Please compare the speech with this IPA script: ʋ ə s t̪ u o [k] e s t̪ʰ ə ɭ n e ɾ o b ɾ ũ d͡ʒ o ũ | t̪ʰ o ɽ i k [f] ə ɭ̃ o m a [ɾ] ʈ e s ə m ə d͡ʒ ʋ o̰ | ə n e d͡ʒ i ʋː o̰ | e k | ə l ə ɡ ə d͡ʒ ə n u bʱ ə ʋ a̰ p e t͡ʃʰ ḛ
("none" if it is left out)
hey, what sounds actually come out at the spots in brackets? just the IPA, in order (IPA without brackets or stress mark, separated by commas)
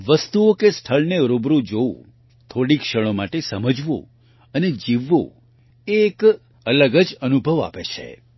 k, ʃ, none